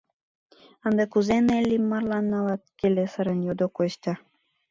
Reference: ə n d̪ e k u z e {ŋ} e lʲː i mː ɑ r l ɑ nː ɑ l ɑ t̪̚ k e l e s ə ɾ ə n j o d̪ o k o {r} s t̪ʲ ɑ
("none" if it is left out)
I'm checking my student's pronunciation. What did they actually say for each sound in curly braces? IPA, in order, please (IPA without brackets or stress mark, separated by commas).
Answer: n, none